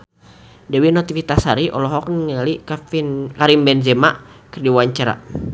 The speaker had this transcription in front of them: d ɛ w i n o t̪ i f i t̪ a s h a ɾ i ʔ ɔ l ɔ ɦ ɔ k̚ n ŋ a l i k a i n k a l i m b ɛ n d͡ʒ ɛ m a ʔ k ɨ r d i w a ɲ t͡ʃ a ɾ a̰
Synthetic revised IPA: d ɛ w i n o t̪ i f i t̪ a s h a ɾ i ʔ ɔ l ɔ ɦ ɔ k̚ n ŋ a l i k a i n k a ɾ i m b ɛ n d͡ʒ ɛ m a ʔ k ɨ r d i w a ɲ t͡ʃ a ɾ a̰